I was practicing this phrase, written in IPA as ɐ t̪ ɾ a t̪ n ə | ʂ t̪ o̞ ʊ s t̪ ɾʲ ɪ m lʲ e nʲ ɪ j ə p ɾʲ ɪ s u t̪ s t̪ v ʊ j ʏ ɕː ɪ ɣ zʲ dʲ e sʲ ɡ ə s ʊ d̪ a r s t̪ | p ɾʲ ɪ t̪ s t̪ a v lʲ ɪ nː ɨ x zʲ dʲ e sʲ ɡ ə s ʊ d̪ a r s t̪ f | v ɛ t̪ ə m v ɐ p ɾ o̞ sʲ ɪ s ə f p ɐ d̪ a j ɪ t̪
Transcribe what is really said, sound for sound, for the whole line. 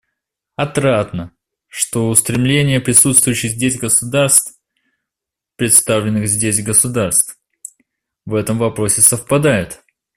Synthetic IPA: ɐ t̪ ɾ a t̪ n ə | ʂ t̪ o̞ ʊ s t̪ ɾʲ ɪ m lʲ e nʲ ɪ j ə p ɾʲ ɪ s u t̪ s t̪ v ʊ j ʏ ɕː ɪ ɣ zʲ dʲ e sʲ ɡ ə s ʊ d̪ a r s t̪ | p ɾʲ ɪ t̪ s t̪ a v lʲ ɪ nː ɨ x zʲ dʲ e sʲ ɡ ə s ʊ d̪ a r s t̪ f | v ɛ t̪ ə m v ɐ p ɾ o̞ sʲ ɪ s ə f p ɐ d̪ a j ɪ t̪